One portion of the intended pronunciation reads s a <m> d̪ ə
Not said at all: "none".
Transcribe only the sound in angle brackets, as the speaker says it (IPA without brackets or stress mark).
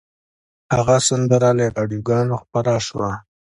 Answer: n